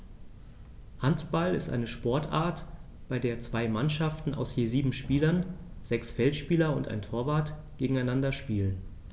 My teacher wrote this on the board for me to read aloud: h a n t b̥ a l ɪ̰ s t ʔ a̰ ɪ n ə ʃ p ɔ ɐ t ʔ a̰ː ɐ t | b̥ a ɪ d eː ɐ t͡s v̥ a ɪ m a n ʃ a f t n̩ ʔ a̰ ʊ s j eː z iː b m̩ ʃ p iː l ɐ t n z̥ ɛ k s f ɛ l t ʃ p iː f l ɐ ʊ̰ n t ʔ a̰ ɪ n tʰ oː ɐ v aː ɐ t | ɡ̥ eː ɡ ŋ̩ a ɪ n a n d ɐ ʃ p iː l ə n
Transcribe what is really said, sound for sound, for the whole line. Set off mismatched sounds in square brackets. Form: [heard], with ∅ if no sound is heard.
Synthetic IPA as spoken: h a n t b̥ a l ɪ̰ s t ʔ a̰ ɪ n ə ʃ p ɔ ɐ t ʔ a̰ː ɐ t | b̥ a ɪ d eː ɐ t͡s v̥ a ɪ m a n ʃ a f t n̩ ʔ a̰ ʊ s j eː z iː b m̩ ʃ p iː l ɐ [∅] n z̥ ɛ k s f ɛ l t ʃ p iː [∅] l ɐ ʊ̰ n t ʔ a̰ ɪ n tʰ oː ɐ v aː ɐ t | ɡ̥ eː ɡ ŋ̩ a ɪ n a n d ɐ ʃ p iː l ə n